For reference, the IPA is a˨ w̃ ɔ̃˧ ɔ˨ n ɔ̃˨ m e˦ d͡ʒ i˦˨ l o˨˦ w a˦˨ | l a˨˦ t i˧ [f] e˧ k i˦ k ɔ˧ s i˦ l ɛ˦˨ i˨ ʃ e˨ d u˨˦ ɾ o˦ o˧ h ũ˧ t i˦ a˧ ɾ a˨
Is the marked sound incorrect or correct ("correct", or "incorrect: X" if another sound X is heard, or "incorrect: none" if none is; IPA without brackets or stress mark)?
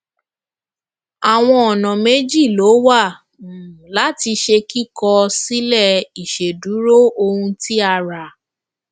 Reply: incorrect: ʃ